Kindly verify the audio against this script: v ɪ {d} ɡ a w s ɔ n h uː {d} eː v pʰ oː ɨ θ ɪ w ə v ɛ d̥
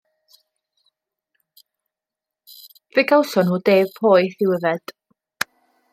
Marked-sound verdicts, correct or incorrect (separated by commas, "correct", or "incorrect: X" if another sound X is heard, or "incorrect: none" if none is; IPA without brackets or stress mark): incorrect: none, correct